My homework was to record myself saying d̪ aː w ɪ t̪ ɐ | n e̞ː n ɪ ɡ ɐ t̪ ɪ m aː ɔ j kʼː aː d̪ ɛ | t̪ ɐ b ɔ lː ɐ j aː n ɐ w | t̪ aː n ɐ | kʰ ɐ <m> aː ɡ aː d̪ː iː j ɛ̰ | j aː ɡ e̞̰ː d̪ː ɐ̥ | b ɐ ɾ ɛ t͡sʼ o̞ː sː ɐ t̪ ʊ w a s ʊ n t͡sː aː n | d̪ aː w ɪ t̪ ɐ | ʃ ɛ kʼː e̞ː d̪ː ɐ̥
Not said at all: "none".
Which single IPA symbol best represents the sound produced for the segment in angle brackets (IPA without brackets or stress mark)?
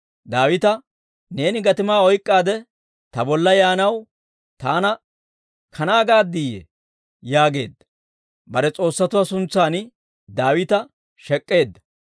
n